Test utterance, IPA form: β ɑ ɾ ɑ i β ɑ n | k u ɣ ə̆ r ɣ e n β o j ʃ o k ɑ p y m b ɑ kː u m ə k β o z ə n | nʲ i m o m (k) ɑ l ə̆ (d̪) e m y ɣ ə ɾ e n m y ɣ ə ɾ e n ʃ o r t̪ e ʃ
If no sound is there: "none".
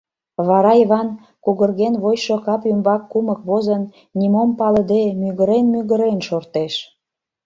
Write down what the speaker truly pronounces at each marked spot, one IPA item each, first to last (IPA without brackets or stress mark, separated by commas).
p, d̪